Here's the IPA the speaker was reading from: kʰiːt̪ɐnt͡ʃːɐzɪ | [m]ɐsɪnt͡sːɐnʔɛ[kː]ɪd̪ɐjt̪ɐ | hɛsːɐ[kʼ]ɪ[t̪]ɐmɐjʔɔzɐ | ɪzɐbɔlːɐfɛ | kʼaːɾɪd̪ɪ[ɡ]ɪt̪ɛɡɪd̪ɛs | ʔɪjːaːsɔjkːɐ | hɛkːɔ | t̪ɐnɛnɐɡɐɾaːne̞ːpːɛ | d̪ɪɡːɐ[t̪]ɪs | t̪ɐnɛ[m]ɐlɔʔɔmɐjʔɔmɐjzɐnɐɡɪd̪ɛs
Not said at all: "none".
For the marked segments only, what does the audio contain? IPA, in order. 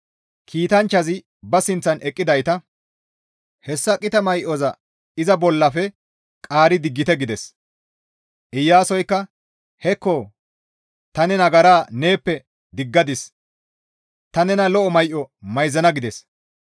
b, kʼː, kʼ, t̪, ɡː, d̪, n

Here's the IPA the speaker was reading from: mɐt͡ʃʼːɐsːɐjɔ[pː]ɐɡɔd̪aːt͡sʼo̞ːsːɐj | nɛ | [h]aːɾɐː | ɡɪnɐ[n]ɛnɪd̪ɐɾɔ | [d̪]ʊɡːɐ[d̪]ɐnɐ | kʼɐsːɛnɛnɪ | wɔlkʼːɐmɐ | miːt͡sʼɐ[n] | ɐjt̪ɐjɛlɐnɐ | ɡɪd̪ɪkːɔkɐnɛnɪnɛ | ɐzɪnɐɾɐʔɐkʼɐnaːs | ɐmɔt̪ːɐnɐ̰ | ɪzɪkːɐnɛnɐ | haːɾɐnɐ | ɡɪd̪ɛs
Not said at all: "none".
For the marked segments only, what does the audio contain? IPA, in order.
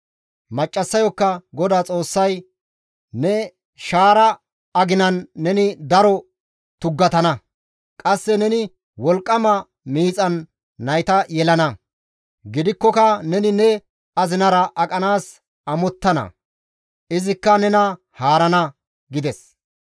kː, ʃ, nː, t̪, t̪, nː

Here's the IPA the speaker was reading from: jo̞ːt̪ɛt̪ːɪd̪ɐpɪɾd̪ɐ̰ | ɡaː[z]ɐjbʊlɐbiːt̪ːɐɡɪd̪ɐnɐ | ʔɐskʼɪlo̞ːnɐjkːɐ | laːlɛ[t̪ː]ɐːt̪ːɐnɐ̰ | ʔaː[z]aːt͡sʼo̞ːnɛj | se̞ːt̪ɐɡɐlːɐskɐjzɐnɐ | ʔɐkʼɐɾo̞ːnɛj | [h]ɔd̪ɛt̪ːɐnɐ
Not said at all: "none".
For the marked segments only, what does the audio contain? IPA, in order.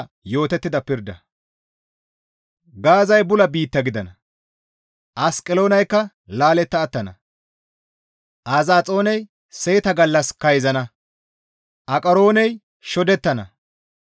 z, t̪ː, z, ʃ

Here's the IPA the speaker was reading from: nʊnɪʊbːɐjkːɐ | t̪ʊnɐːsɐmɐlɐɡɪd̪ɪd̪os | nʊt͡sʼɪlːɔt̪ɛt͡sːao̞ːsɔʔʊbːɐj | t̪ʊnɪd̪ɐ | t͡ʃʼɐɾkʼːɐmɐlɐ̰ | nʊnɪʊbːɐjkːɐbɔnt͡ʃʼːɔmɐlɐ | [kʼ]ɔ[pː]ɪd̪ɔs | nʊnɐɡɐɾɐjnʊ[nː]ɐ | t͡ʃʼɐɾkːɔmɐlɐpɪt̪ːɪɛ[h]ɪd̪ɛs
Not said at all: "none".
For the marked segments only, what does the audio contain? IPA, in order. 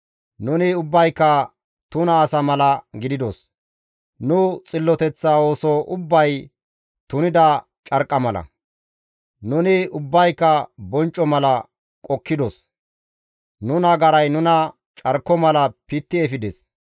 kʼ, kː, n, f

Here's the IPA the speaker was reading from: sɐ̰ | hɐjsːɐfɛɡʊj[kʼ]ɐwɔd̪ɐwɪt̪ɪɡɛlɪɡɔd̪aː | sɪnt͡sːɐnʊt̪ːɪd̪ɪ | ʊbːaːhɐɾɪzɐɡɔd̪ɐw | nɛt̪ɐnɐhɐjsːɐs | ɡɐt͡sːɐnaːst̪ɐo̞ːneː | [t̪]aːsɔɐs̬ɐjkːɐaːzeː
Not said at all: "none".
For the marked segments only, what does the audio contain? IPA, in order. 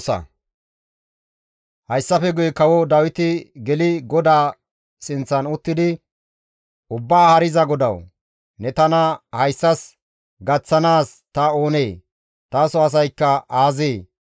k, t̪

